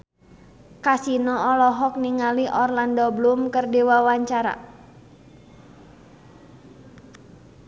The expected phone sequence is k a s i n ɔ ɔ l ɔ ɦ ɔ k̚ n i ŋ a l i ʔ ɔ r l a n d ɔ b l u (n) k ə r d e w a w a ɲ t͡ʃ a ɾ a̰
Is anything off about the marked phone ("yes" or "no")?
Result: yes